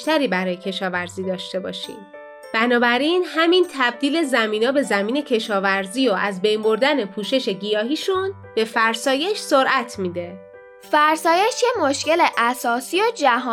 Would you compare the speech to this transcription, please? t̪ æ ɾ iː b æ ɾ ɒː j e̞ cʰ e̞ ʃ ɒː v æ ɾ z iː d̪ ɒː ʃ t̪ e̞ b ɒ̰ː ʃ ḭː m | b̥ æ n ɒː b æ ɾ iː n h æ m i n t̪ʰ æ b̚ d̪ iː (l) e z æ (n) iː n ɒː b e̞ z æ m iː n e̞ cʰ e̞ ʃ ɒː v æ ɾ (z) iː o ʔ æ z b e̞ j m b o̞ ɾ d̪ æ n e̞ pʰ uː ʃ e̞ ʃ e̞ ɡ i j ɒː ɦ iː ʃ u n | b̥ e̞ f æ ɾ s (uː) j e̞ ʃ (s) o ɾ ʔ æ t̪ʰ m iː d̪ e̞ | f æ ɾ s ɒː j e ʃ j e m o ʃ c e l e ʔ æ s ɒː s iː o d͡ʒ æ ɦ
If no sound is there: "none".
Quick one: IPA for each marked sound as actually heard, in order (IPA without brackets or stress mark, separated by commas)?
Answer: l, m, z, ɒː, s